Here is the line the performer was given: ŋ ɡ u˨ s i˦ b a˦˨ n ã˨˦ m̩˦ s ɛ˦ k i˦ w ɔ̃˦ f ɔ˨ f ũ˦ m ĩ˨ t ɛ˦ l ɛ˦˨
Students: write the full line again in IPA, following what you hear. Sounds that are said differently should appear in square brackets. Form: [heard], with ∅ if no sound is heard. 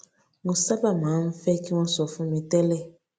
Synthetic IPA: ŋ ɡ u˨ s [a˦] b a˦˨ [m] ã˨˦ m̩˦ [f] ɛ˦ k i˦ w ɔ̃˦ [s] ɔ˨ f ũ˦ m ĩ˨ t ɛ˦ l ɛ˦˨